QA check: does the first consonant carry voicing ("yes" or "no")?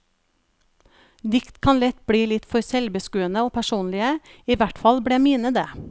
yes